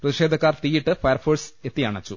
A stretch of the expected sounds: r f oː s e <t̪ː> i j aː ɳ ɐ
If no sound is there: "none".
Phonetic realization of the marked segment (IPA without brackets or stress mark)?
t̪ː